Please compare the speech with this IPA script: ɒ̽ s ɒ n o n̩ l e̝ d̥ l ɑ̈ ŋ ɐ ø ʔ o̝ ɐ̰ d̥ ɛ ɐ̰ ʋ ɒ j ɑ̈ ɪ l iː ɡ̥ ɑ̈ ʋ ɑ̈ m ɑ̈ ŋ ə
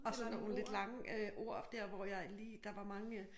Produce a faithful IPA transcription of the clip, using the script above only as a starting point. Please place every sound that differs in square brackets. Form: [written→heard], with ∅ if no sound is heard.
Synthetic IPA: ɒ̽ s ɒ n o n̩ l e̝ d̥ l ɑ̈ ŋ [ɐ→ə] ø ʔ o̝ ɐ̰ d̥ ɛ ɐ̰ ʋ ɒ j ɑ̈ ɪ l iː [ɡ̥→d̥] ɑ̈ ʋ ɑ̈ m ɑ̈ ŋ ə